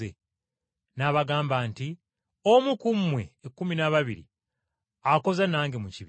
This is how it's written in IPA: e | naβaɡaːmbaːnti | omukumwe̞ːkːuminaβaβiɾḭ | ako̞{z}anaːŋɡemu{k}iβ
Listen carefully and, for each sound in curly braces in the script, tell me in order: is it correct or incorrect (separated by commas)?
correct, incorrect